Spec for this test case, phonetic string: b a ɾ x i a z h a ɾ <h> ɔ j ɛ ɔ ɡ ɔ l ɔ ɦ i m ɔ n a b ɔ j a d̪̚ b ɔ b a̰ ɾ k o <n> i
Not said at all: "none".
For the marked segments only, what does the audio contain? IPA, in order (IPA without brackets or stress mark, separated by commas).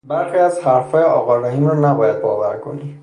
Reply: f, n